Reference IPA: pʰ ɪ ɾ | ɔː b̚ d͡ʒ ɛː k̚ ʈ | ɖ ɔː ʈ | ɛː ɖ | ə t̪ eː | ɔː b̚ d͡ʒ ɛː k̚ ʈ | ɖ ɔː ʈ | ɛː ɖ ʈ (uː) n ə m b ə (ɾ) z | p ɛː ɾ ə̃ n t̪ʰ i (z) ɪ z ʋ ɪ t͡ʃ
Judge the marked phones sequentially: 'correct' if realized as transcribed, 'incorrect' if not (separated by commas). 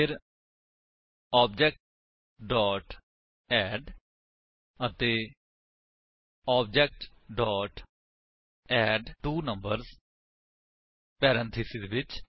correct, correct, incorrect